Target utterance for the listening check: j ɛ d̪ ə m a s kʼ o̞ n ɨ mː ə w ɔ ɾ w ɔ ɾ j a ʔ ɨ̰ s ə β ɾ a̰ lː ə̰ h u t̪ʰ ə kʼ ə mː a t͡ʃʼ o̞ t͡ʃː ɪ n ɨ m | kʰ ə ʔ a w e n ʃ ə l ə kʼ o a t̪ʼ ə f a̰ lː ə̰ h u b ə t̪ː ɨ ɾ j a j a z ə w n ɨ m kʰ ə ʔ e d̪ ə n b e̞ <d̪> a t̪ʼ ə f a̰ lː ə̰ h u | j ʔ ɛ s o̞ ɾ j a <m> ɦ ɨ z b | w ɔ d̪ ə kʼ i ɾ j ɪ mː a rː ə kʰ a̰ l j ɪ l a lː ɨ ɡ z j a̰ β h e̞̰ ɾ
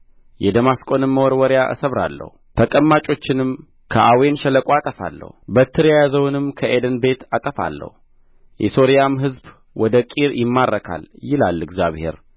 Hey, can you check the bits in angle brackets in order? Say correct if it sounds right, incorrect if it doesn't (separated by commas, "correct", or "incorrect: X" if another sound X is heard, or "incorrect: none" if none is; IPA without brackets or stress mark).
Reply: incorrect: t̪, correct